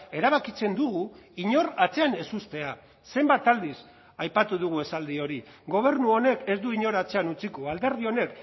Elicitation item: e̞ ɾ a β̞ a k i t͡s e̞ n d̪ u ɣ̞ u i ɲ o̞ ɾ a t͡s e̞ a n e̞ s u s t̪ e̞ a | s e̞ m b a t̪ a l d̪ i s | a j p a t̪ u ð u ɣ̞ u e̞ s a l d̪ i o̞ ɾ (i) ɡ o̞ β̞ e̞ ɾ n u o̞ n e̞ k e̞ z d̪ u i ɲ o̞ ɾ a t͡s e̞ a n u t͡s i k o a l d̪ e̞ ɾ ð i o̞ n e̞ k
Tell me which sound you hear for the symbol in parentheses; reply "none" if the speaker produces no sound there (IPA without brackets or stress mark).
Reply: i